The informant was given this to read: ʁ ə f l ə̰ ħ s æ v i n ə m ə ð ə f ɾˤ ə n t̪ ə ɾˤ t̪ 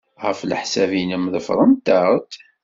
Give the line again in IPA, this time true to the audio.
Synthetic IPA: ʁ ə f l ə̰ ħ s æ v i n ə m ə ð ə f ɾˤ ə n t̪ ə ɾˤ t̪

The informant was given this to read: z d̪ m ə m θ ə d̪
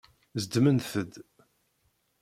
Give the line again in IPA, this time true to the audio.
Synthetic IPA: z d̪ m ə n θ ə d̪

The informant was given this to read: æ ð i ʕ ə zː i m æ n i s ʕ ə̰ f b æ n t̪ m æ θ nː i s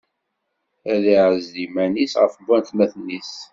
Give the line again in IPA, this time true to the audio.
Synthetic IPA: æ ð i ʕ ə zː i m æ n i s ʁ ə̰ f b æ n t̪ m æ θ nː i s

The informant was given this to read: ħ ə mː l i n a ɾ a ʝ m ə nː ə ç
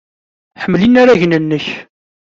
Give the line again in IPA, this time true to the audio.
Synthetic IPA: ħ ə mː l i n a ɾ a ʝ n ə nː ə ç

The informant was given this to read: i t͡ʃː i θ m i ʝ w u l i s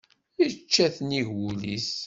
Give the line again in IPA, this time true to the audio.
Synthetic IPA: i t͡ʃː æ θ n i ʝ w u l i s

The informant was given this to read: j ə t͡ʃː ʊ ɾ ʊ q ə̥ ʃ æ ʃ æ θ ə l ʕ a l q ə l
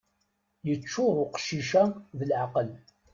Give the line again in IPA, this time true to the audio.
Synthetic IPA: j ə t͡ʃː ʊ ɾ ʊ q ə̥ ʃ i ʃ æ ð ə l ʕ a q ə l

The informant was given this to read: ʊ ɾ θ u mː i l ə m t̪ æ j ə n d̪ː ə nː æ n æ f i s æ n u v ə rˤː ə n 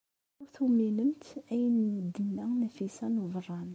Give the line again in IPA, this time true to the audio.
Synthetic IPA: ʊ ɾ θ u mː i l ə m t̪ æ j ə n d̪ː ə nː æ n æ f i s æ n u v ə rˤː ɑ n

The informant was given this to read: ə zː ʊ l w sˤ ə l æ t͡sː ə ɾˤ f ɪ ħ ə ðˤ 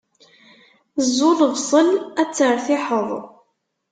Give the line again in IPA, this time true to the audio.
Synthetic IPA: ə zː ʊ l v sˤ ə l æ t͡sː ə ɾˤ θ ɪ ħ ə ðˤ

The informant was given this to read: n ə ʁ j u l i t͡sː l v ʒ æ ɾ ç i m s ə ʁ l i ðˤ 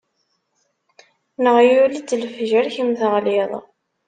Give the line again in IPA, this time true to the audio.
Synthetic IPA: n ə ʁ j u l i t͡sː l f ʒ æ ɾ ç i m θ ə ʁ l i ðˤ

